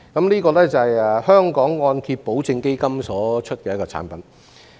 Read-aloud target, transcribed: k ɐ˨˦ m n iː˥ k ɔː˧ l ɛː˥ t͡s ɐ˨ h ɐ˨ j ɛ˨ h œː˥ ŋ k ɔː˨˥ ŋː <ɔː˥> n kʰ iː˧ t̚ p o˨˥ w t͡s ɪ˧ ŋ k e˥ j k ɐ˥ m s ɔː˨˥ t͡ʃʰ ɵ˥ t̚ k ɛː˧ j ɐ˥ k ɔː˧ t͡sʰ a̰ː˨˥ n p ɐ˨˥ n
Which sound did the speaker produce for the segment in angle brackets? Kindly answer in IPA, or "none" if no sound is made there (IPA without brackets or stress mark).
ɔː˧